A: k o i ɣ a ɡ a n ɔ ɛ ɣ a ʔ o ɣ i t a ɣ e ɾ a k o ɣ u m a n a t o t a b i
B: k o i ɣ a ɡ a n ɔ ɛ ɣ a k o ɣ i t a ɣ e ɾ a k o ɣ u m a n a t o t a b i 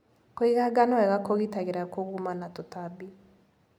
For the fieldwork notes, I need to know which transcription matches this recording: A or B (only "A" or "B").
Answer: B